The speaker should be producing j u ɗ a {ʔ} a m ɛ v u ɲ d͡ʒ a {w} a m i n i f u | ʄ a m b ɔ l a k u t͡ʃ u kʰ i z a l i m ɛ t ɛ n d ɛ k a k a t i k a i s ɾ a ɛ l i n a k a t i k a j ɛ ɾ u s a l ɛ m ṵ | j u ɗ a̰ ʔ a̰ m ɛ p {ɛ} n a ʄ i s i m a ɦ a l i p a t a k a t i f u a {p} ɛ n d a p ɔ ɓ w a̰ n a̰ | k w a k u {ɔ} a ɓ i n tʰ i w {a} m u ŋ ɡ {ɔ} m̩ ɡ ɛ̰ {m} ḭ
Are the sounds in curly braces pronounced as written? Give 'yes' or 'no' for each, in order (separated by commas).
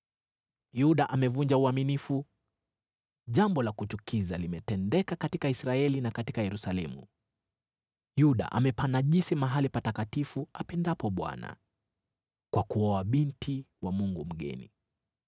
yes, no, no, yes, yes, yes, no, no